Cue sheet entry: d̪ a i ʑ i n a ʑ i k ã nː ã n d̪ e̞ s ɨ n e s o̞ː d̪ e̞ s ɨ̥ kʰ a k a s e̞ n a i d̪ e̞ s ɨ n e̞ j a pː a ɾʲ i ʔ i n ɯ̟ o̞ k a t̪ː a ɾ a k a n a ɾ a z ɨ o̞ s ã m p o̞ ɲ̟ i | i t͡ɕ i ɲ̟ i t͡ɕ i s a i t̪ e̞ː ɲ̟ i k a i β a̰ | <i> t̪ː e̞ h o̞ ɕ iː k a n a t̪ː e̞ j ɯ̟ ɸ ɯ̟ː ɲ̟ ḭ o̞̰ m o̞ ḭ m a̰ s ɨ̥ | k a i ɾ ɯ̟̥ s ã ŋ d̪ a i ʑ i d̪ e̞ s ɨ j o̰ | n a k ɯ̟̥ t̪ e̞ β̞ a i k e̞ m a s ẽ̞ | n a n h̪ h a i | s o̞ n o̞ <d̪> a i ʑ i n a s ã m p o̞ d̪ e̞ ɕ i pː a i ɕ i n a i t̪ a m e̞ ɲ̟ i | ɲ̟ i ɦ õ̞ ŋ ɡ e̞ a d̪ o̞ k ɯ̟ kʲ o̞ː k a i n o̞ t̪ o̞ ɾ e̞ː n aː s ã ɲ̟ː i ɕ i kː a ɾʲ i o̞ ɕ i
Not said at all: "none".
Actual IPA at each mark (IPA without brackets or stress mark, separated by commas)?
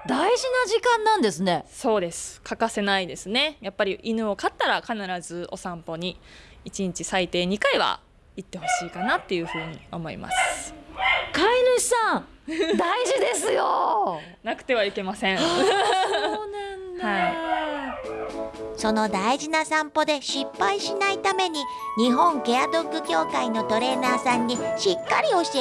i, d̪